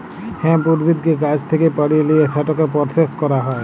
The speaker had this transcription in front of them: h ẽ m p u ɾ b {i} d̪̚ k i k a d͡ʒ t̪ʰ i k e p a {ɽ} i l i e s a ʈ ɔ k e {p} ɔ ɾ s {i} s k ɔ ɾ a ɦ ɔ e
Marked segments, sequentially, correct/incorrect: correct, correct, correct, incorrect: e

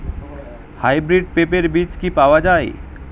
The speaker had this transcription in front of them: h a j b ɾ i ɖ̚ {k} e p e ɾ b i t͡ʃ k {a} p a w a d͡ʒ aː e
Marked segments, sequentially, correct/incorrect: incorrect: p, incorrect: i

